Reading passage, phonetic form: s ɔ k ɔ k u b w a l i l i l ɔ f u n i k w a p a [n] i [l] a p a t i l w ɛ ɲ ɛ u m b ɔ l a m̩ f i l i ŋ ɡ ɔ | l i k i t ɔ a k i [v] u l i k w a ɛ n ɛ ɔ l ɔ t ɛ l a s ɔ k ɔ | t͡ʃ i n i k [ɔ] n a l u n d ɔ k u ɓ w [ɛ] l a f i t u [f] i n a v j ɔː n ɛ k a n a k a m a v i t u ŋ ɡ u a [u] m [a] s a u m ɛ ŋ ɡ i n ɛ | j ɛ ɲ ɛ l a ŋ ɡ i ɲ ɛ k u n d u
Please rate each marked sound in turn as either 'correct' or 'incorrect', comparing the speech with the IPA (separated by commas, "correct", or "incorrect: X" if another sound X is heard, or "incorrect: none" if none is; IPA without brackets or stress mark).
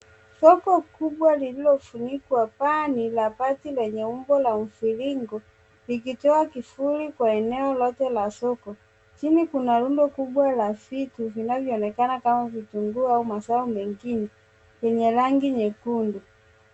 correct, correct, incorrect: f, incorrect: u, incorrect: a, incorrect: v, correct, correct